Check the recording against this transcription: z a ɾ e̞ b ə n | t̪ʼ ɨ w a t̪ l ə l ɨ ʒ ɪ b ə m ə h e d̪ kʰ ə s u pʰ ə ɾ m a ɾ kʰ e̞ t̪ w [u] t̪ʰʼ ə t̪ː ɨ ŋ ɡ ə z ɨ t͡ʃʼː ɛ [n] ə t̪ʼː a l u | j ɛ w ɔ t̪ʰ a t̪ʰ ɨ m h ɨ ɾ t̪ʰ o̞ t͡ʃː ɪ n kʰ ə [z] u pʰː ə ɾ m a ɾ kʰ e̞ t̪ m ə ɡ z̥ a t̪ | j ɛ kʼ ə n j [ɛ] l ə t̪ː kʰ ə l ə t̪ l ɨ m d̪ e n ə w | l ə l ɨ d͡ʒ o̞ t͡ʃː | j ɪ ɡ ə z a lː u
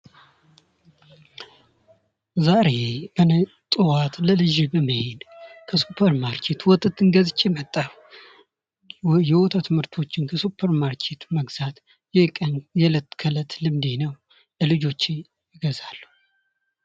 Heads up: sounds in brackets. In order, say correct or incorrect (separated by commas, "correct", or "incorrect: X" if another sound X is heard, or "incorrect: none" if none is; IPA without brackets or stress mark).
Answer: incorrect: ɔ, incorrect: m, incorrect: s, correct